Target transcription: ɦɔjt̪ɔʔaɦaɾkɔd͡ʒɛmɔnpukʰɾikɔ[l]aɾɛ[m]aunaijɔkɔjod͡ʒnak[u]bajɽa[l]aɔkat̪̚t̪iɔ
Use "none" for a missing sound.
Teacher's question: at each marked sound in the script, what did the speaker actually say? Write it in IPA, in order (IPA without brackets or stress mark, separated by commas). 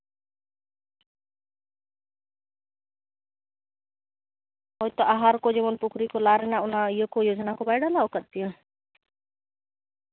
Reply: l, n, ɔ, l